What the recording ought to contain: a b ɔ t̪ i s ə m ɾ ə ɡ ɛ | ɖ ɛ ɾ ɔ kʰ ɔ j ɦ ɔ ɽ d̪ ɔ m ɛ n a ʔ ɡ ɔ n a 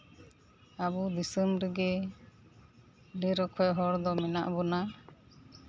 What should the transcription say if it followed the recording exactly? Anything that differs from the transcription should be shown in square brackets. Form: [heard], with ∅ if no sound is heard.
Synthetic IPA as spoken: a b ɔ [d̪] i s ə m ɾ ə ɡ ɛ | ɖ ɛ ɾ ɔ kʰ ɔ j ɦ ɔ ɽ d̪ ɔ m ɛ n a ʔ [b] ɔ n a